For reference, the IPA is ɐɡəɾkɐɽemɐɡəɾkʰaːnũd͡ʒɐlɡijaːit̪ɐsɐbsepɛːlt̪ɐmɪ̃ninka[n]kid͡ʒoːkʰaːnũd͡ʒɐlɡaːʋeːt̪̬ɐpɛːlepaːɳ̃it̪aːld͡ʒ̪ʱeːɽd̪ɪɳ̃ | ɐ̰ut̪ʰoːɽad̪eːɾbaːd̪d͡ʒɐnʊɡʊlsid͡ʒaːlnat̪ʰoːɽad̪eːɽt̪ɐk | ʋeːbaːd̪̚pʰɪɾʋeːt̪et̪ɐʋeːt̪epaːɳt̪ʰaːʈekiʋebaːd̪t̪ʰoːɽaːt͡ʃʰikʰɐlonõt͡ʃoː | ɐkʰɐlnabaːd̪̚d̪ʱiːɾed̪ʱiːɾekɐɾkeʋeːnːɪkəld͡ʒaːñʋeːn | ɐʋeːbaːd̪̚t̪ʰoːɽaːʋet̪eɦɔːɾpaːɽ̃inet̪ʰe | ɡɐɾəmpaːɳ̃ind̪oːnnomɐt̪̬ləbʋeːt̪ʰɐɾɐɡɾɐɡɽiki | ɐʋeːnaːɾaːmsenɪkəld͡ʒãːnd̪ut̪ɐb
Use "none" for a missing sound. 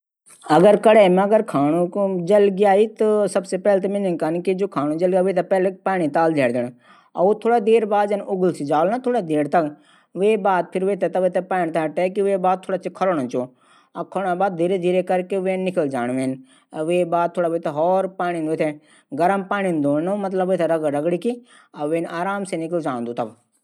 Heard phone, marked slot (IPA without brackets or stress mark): n